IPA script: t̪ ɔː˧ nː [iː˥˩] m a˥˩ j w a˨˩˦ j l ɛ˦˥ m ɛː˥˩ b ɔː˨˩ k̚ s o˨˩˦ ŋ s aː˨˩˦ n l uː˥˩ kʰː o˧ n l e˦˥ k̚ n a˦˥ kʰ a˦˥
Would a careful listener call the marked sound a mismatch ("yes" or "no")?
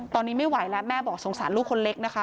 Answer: yes